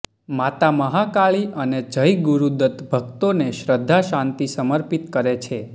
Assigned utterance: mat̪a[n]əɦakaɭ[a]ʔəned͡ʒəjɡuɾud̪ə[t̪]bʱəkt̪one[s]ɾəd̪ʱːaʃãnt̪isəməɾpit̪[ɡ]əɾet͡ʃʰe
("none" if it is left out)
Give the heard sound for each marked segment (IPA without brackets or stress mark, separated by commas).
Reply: m, i, t̪, ʃ, k